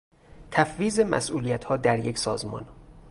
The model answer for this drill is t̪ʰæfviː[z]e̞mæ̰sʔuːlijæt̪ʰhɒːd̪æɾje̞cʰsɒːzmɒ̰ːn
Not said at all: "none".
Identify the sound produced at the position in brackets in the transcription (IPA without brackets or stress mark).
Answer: z